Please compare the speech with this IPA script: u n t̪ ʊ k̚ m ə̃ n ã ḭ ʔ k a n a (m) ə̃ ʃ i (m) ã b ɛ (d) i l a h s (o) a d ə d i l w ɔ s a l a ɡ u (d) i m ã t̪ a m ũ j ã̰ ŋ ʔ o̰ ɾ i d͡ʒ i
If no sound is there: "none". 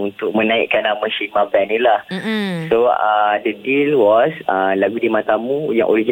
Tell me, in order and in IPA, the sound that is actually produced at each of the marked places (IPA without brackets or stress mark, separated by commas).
m, m, n, o, d